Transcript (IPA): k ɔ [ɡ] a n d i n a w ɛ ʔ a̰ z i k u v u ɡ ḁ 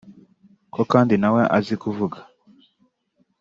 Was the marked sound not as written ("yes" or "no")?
yes